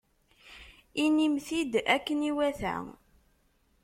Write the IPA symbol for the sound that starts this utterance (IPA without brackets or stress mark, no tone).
i